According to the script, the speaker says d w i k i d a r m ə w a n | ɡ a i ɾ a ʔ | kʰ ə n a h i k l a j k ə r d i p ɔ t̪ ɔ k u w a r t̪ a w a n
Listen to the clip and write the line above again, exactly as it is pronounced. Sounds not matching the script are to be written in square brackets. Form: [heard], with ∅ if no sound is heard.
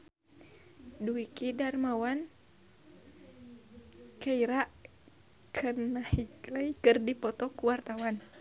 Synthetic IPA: d [u] i k i d a r m [a] w a n | [k] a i ɾ a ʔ | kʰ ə n a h i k l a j k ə r d i p ɔ t̪ ɔ k u w a r t̪ a w a n